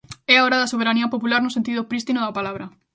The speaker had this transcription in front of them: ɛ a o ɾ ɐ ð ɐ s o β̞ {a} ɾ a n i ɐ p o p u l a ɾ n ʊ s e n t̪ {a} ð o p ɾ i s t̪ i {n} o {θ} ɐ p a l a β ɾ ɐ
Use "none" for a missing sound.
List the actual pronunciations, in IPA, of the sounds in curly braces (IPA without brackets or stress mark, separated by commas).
e, i, n, ð